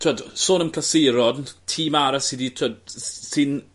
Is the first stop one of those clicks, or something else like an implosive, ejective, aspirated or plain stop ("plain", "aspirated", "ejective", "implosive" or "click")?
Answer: aspirated